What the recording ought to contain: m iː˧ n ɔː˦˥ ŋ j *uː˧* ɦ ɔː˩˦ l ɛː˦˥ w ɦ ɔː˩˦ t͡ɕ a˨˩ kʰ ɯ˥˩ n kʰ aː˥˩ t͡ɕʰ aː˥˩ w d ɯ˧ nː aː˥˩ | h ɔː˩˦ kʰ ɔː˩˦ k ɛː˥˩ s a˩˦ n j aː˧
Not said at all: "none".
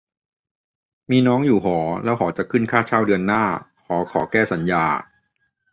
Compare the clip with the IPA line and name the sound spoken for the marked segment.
uː˨˩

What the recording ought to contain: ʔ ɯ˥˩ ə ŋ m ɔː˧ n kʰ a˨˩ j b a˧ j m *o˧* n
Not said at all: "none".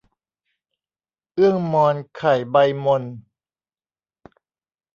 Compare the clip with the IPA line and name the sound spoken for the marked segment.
o˧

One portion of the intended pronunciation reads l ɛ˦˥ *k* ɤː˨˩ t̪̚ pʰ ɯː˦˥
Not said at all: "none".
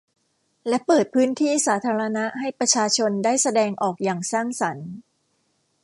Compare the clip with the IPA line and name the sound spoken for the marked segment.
p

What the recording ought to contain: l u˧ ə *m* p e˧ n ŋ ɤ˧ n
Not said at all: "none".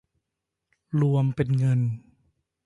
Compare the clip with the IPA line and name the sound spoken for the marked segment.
m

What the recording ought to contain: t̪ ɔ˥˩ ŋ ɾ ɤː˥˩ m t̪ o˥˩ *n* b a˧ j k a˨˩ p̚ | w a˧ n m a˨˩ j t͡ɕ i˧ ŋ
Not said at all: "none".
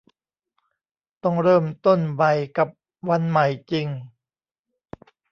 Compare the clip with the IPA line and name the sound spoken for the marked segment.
n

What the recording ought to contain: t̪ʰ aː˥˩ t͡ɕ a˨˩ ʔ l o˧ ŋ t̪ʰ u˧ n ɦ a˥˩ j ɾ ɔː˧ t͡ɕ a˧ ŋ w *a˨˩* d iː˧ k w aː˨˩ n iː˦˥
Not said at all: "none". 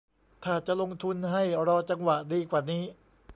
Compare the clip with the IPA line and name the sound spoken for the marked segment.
a˨˩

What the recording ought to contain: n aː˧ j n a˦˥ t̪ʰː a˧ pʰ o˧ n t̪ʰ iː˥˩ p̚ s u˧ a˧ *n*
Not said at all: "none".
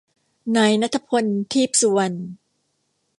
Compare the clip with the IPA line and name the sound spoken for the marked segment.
n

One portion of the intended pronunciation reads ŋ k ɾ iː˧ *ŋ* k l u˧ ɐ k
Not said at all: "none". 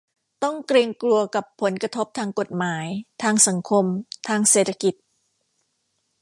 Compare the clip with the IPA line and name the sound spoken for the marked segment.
ŋ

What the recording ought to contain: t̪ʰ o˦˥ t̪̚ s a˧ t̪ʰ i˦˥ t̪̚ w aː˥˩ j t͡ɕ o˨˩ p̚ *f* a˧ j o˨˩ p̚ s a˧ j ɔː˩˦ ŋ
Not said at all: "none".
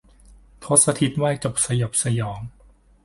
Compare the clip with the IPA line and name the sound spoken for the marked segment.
s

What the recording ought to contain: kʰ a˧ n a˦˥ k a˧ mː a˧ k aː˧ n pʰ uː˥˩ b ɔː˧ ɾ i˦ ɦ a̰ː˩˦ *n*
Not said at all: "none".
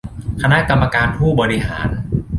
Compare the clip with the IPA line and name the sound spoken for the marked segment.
n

